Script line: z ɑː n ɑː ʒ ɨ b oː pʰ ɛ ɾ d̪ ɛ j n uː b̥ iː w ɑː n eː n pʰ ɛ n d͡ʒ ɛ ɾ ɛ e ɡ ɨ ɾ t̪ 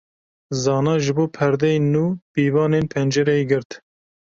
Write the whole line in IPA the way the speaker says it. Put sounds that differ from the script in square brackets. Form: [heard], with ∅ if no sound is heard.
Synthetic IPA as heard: z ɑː n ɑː ʒ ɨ b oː pʰ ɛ ɾ d̪ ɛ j n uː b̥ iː [v] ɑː n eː n pʰ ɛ n d͡ʒ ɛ ɾ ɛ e ɡ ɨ ɾ t̪